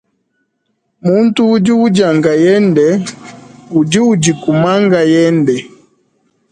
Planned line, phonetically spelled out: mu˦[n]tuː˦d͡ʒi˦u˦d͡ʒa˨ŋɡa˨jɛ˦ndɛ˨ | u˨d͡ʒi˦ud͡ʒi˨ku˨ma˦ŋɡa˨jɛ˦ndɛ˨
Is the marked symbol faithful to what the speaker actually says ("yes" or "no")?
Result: yes